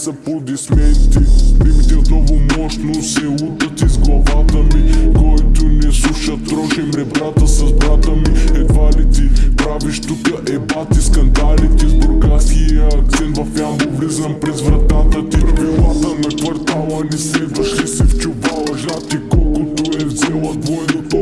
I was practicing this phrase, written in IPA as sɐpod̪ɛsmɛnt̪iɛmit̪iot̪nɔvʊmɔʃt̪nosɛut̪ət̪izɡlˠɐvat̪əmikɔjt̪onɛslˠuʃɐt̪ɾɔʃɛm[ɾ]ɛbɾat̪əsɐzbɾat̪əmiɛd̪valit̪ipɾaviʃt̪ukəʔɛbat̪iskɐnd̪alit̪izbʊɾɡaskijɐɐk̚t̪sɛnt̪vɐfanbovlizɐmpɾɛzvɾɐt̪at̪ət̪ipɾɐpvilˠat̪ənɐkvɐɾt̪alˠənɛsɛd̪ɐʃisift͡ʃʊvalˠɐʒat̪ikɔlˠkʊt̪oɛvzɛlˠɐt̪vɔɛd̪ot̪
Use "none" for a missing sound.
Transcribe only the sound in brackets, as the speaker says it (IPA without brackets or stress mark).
ɾ